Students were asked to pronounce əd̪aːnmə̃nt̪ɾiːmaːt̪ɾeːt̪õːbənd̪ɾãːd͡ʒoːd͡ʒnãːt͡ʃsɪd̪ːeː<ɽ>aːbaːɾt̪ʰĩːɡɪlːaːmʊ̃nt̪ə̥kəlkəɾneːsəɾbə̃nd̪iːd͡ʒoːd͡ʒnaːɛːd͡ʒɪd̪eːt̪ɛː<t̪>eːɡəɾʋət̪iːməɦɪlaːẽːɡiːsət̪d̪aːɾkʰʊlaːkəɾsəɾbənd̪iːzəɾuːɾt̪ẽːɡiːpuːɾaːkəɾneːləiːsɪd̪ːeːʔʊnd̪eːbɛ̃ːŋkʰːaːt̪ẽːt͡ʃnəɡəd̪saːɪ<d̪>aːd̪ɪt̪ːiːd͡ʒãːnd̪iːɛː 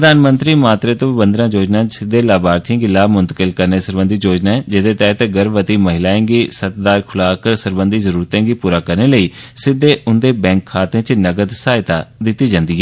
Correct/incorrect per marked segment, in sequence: incorrect: l, correct, incorrect: t̪

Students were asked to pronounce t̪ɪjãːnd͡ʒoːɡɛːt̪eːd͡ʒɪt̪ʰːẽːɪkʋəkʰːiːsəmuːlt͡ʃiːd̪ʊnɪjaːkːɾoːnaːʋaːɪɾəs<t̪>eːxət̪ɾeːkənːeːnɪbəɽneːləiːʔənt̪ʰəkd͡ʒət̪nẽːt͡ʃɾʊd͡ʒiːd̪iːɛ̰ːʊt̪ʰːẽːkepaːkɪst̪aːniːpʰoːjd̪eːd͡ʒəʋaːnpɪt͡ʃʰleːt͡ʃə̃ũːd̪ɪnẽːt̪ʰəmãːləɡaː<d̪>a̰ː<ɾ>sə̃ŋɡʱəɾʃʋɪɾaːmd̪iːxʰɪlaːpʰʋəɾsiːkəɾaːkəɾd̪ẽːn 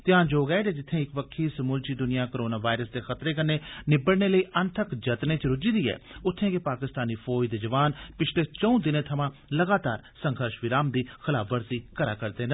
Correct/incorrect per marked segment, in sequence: incorrect: d̪, incorrect: t̪, correct

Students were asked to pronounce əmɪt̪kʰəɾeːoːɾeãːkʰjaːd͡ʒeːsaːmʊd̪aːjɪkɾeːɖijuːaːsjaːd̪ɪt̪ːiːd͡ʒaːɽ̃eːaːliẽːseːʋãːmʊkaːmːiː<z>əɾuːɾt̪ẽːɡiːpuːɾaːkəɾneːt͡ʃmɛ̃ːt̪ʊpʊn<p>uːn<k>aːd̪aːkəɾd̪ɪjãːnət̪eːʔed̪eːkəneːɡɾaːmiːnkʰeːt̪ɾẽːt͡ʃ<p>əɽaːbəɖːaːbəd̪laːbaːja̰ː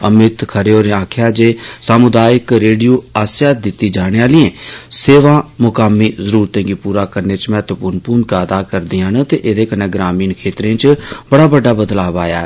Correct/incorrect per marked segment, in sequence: correct, correct, correct, incorrect: b

